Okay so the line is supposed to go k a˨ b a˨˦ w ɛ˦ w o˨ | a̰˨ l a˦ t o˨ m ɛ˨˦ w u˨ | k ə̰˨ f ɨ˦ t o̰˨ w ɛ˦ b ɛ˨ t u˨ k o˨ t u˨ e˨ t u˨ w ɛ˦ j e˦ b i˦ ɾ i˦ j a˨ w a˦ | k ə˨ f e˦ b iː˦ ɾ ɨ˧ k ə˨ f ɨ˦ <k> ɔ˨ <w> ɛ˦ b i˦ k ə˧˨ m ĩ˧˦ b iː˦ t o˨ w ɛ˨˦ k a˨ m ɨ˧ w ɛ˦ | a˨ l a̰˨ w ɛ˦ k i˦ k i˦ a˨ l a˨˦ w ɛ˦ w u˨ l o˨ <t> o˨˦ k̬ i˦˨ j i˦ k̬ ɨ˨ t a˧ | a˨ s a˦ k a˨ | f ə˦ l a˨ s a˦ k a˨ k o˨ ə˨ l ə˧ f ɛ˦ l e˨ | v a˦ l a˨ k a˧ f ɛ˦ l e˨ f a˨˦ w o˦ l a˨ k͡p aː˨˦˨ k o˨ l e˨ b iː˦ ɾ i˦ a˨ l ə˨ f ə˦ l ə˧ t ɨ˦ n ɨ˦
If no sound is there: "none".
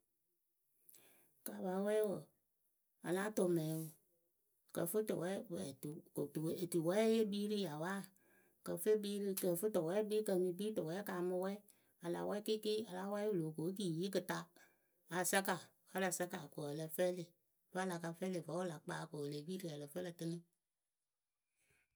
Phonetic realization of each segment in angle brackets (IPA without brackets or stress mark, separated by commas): t, w, k